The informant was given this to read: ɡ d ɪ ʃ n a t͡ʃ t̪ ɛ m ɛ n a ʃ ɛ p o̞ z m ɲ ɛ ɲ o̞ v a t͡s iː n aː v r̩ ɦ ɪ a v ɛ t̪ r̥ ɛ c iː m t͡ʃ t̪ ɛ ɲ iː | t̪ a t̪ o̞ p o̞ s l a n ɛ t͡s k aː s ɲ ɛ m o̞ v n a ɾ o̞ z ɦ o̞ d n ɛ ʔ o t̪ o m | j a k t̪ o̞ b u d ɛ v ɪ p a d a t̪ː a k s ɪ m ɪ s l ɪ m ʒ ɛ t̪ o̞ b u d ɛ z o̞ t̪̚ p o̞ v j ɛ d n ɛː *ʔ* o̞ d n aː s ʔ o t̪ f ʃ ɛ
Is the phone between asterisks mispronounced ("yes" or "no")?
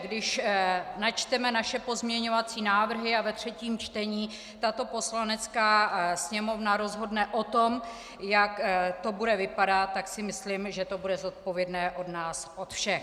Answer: no